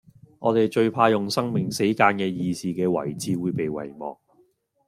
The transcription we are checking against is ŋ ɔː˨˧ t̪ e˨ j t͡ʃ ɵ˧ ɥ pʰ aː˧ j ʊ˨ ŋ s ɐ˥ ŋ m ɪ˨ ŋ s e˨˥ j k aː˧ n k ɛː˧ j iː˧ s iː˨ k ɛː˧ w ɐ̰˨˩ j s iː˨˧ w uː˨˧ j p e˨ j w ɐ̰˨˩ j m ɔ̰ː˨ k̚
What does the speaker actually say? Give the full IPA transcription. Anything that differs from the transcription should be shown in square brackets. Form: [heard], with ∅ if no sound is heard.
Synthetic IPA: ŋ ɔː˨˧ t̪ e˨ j t͡ʃ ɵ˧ ɥ pʰ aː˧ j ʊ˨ ŋ s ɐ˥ ŋ m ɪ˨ ŋ s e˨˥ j k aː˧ n k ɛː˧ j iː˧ s iː˨ k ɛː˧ w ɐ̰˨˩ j [t͡s] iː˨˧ w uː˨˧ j p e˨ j w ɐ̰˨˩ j m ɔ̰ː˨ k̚